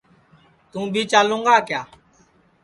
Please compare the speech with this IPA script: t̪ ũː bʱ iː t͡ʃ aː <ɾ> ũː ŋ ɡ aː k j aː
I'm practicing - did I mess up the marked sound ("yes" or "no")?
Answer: yes